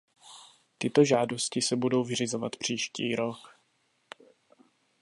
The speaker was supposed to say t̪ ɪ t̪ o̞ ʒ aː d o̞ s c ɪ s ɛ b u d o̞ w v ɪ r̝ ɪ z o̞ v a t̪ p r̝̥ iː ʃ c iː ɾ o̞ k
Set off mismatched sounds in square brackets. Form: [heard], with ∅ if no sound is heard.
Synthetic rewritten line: t̪ ɪ t̪ o̞ ʒ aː d o̞ s c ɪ s ɛ b u d o̞ w v ɪ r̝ ɪ z o̞ v a t̪ p r̝̥ iː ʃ c iː ɾ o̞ k

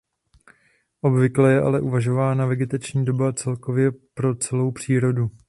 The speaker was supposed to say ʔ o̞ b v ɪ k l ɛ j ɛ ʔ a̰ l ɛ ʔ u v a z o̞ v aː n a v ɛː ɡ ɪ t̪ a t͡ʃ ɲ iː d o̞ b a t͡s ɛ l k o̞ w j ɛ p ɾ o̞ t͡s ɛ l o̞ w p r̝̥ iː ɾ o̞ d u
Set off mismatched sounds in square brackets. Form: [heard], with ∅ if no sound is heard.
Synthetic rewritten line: ʔ o̞ b v ɪ k l ɛ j ɛ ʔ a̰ l ɛ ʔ u v a [ʒ] o̞ v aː n a v [ɛ] ɡ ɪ t̪ a t͡ʃ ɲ iː d o̞ b a t͡s ɛ l k o̞ [v] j ɛ p ɾ o̞ t͡s ɛ l o̞ w p r̝̥ iː ɾ o̞ d u

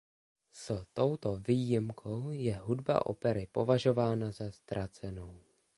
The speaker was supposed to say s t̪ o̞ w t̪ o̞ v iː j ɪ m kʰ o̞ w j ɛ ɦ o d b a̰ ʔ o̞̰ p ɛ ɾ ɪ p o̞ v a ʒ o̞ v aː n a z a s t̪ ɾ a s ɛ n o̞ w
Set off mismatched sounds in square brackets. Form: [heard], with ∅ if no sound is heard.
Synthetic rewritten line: s t̪ o̞ w t̪ o̞ v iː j ɪ m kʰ o̞ w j ɛ ɦ [u] d b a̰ ʔ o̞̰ p ɛ ɾ ɪ p o̞ v a ʒ o̞ v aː n a z a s t̪ ɾ a [t͡s] ɛ n o̞ w

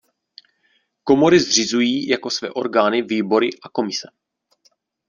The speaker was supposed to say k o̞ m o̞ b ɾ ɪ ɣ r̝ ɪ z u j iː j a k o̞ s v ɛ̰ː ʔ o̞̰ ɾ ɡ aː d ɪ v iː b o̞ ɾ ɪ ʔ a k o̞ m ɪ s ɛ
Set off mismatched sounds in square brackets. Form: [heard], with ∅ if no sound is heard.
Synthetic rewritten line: k o̞ m o̞ [∅] ɾ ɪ [z] r̝ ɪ z u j iː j a k o̞ s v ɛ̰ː ʔ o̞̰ ɾ ɡ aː [n] ɪ v iː b o̞ ɾ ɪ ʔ a k o̞ m ɪ s ɛ

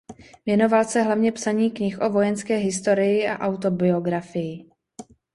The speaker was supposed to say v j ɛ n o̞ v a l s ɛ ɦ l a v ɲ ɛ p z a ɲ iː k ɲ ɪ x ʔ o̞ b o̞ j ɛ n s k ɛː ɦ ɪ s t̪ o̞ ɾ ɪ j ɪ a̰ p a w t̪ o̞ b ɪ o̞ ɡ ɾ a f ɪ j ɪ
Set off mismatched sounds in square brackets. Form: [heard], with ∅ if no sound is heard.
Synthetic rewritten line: v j ɛ n o̞ v a l s ɛ ɦ l a v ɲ ɛ p [s] a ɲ iː k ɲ ɪ x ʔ o̞ [v] o̞ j ɛ n s k ɛː ɦ ɪ s t̪ o̞ ɾ ɪ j ɪ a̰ [ʔ] a w t̪ o̞ b ɪ o̞ ɡ ɾ a f ɪ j ɪ

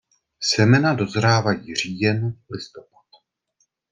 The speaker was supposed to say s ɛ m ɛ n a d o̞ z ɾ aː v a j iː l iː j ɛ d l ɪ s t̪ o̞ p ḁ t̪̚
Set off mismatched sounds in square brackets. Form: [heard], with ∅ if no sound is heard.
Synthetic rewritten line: s ɛ m ɛ n a d o̞ z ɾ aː v a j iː [r] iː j ɛ [n] l ɪ s t̪ o̞ p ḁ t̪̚

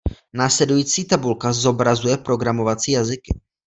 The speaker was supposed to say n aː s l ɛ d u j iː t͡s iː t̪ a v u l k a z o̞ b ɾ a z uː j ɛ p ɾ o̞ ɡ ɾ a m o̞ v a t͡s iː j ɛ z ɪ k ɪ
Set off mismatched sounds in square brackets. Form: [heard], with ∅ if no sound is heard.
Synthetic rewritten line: n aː s l ɛ d u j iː t͡s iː t̪ a [b] u l k a z o̞ b ɾ a z [u] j ɛ p ɾ o̞ ɡ ɾ a m o̞ v a t͡s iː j [a] z ɪ k ɪ

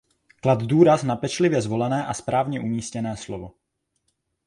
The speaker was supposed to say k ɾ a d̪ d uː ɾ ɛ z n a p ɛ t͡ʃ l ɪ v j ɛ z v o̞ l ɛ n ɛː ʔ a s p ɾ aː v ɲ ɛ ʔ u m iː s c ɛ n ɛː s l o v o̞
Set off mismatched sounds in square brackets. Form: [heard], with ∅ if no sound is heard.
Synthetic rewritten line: k [l] a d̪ d uː ɾ [a] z n a p ɛ t͡ʃ l ɪ v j ɛ z v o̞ l ɛ n ɛː ʔ a s p ɾ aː v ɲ ɛ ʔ u m iː s c ɛ n ɛː s l o v o̞

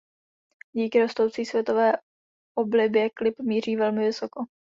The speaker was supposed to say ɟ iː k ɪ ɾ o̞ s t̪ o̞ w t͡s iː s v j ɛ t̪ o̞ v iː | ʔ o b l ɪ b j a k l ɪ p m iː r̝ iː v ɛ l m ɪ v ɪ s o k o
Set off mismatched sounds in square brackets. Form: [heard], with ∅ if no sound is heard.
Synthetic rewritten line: ɟ iː k ɪ ɾ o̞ s t̪ o̞ w t͡s iː s v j ɛ t̪ o̞ v [ɛː] | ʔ o b l ɪ b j [ɛ] k l ɪ p m iː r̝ iː v ɛ l m ɪ v ɪ s o k o

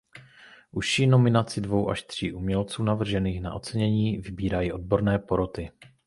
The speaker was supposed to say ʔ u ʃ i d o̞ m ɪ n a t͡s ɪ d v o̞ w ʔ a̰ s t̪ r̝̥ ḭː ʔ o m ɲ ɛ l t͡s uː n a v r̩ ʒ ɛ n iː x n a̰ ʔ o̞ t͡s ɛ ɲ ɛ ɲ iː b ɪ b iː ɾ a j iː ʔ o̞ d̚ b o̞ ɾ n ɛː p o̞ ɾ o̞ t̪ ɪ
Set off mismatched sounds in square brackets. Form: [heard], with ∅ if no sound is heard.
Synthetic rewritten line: ʔ u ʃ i [n] o̞ m ɪ n a t͡s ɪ d v o̞ w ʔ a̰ [ʃ] t̪ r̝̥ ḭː ʔ [u] m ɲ ɛ l t͡s uː n a v r̩ ʒ ɛ n iː x n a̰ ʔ o̞ t͡s ɛ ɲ ɛ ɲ iː [v] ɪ b iː ɾ a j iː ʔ o̞ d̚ b o̞ ɾ n ɛː p o̞ ɾ o̞ t̪ ɪ

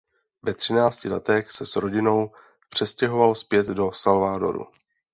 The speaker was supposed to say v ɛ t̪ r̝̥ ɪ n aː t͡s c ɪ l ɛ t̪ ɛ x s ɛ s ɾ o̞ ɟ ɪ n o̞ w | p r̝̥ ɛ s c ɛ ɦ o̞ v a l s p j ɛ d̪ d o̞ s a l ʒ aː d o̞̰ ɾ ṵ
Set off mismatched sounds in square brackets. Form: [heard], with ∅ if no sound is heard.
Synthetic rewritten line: v ɛ t̪ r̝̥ ɪ n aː t͡s c ɪ l ɛ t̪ ɛ x s ɛ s ɾ o̞ ɟ ɪ n o̞ w | p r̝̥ ɛ s c ɛ ɦ o̞ v a l s p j ɛ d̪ d o̞ s a l [v] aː d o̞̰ ɾ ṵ

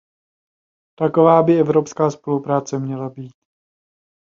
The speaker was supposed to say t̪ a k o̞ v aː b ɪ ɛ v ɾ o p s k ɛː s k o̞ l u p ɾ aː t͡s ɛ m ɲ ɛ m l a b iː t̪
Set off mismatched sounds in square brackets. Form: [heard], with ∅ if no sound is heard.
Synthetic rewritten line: t̪ a k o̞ v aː b ɪ ɛ v ɾ o p s k [aː] s [p] o̞ l u p ɾ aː t͡s ɛ m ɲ ɛ [∅] l a b iː t̪

